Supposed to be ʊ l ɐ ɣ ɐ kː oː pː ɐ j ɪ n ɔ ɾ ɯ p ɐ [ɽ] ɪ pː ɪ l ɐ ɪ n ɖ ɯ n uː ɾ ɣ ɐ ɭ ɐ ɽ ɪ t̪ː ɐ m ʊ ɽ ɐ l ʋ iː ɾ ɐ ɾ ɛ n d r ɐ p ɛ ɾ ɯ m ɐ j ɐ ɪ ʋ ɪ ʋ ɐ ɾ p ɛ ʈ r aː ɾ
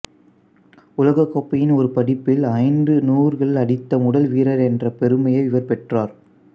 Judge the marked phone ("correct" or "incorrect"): correct